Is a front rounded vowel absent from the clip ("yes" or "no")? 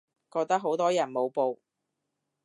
yes